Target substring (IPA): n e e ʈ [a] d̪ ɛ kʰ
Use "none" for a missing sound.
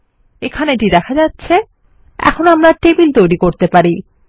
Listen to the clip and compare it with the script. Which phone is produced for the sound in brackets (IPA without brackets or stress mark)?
i